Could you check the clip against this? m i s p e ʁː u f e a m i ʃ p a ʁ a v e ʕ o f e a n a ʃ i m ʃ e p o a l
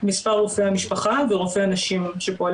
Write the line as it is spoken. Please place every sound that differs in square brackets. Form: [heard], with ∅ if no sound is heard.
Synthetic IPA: m i s p [a] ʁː [o] f e a m i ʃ p a [χ] a v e [ʁ] o f e a n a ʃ i m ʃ e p o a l